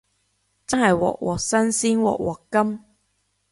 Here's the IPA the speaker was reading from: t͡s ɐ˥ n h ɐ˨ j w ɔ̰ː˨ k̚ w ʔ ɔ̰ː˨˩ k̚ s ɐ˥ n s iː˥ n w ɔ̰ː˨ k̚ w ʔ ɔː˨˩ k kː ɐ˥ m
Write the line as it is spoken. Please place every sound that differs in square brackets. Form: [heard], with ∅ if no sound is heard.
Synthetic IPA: t͡s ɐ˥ n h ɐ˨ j w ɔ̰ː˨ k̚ w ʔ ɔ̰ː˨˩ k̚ s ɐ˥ n s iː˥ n w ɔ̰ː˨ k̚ w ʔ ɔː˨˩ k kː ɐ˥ m